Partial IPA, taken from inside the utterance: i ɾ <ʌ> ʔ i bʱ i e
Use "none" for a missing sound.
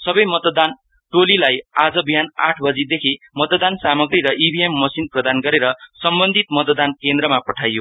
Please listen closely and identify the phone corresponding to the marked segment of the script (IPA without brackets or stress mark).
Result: ʌ